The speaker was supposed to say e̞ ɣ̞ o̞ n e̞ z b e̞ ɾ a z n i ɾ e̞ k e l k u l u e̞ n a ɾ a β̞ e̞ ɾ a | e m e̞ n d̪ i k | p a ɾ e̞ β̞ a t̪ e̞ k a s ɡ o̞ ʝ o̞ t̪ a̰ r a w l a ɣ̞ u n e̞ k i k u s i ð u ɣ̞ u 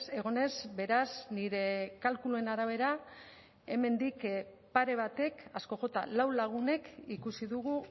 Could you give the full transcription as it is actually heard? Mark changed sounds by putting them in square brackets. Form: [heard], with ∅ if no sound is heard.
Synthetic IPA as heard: e̞ ɣ̞ o̞ n e̞ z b e̞ ɾ a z n i ɾ e̞ k [a] l k u l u e̞ n a ɾ a β̞ e̞ ɾ a | e m e̞ n d̪ i k | p a ɾ e̞ β̞ a t̪ e̞ k a s [k] o̞ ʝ o̞ t̪ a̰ [l] a w l a ɣ̞ u n e̞ k i k u s i ð u ɣ̞ u